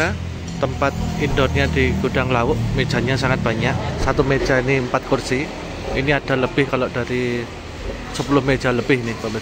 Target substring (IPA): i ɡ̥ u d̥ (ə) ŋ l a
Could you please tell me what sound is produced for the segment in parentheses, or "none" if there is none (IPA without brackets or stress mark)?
a